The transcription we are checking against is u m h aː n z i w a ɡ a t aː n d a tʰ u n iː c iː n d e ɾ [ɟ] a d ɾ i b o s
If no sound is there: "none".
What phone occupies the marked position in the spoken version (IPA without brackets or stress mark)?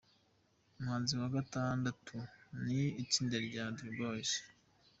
ɟ